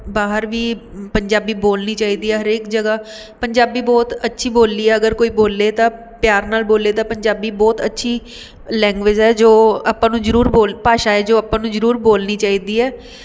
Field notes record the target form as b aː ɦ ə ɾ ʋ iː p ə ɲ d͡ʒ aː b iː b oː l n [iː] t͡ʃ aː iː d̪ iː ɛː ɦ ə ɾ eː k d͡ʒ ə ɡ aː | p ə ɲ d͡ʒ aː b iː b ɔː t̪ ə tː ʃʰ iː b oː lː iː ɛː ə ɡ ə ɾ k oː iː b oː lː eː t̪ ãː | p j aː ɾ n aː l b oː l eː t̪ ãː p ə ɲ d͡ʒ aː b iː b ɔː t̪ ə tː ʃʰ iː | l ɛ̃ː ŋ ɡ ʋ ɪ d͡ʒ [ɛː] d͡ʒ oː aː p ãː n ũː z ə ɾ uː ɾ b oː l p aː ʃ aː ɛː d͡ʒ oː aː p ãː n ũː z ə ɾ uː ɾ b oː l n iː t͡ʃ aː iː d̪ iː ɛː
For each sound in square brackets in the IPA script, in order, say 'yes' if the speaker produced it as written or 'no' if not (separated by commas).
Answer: yes, yes